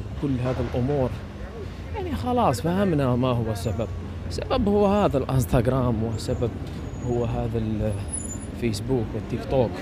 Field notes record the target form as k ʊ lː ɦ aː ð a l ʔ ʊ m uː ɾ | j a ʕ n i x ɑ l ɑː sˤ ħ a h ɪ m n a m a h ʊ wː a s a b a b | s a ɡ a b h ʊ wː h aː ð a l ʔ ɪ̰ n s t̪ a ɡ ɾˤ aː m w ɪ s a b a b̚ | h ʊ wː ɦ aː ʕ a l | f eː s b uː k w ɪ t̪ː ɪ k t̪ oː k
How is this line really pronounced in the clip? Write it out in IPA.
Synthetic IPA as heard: k ʊ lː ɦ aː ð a l ʔ ʊ m uː ɾ | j a ʕ n i x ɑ l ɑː sˤ f a h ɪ m n a m a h ʊ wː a s a b a b | s a b a b h ʊ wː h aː ð a l ʔ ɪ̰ n s t̪ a ɡ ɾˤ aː m w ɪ s a b a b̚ | h ʊ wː ɦ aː ð a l | f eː s b uː k w ɪ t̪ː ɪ k t̪ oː k